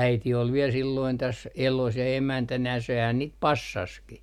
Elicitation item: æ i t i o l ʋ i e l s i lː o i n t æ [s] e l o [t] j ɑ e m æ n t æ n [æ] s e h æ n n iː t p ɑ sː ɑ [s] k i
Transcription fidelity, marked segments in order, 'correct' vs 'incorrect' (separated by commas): correct, incorrect, correct, correct